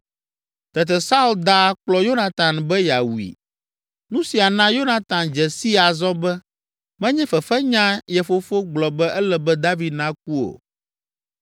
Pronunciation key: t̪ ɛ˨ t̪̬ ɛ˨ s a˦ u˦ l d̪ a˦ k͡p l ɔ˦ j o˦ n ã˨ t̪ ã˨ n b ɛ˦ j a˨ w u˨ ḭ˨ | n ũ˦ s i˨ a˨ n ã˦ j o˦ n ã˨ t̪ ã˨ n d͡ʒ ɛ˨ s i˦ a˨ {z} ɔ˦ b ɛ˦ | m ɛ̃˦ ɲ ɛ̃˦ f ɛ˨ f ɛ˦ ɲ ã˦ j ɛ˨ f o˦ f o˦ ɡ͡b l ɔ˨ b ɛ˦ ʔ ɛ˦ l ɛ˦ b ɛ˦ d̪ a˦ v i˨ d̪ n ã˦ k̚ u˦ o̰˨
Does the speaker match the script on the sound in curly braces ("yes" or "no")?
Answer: yes